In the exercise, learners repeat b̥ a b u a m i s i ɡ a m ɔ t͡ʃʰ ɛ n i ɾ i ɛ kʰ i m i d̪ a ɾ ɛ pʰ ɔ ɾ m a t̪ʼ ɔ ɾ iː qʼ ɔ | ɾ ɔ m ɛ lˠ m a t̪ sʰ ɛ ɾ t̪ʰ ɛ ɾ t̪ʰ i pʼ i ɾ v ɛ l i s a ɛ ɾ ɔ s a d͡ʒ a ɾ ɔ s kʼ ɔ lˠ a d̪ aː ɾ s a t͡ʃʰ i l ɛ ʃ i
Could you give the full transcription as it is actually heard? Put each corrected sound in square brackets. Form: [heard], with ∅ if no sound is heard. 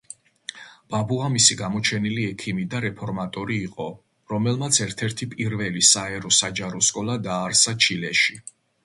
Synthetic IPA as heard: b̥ a b u a m i s i ɡ a m ɔ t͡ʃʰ ɛ n i [l] i ɛ kʰ i m i d̪ a ɾ ɛ pʰ ɔ ɾ m a t̪ʼ ɔ ɾ iː qʼ ɔ | ɾ ɔ m ɛ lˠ m a t̪ sʰ ɛ ɾ t̪ʰ ɛ ɾ t̪ʰ i pʼ i ɾ v ɛ l i s a ɛ ɾ ɔ s a d͡ʒ a ɾ ɔ s kʼ ɔ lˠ a d̪ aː ɾ s a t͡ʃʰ i l ɛ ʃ i